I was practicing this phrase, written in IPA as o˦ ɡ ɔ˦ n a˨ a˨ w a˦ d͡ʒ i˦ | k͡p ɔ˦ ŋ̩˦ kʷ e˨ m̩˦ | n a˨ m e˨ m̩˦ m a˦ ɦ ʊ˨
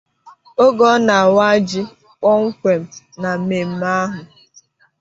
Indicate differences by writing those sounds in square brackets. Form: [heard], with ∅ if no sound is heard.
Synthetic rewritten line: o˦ ɡ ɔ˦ n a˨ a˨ w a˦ d͡ʒ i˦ | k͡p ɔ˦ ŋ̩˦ kʷ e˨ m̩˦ | n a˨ m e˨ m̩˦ m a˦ ɦ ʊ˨